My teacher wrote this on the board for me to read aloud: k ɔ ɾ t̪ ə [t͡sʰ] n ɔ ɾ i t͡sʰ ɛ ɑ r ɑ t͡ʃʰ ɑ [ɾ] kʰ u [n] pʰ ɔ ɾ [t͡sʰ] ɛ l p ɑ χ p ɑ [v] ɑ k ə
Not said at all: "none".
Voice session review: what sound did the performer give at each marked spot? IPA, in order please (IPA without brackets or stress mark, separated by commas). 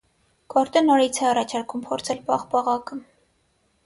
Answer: none, ɾ, m, t͡sʰ, ʁ